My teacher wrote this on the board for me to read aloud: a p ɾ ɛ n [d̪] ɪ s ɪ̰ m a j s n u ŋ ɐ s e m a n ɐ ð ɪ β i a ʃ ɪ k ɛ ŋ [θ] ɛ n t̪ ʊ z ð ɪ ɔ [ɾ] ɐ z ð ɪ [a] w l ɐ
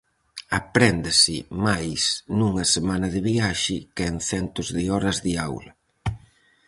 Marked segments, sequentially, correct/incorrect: correct, correct, correct, correct

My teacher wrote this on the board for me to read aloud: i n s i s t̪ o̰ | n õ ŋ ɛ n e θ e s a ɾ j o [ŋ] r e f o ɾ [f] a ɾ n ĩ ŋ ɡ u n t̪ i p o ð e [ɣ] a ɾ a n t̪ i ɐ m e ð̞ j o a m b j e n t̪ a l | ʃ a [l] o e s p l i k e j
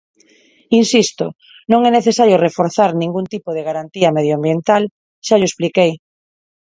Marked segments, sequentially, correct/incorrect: incorrect, incorrect, correct, incorrect

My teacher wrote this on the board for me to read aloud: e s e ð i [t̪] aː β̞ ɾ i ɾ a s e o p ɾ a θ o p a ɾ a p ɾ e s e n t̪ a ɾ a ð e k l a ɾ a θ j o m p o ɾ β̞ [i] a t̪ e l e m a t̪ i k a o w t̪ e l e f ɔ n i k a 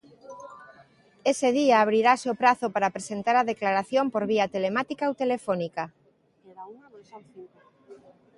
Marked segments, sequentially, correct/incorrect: incorrect, correct

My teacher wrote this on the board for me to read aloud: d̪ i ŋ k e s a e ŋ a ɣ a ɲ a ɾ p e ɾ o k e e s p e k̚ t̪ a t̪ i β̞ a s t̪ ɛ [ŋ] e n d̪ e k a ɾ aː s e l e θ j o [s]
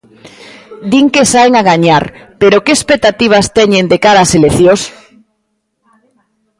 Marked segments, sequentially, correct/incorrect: incorrect, correct

